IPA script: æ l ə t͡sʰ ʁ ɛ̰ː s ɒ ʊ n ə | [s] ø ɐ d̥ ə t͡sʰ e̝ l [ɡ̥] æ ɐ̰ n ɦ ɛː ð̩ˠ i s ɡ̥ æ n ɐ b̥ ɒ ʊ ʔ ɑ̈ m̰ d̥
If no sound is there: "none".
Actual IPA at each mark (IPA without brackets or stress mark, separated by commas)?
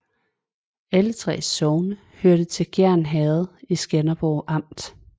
h, ɡ̥